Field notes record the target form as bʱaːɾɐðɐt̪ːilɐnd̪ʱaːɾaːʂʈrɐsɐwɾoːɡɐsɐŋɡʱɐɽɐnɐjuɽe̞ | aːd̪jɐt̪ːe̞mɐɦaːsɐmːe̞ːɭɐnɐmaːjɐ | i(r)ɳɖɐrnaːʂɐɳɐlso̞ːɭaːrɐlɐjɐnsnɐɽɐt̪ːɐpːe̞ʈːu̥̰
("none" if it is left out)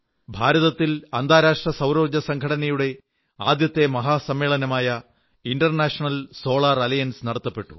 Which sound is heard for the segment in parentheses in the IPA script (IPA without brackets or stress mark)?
none